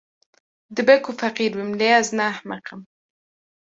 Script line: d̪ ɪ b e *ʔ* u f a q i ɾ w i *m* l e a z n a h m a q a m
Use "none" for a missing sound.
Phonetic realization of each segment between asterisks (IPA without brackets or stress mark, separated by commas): k, m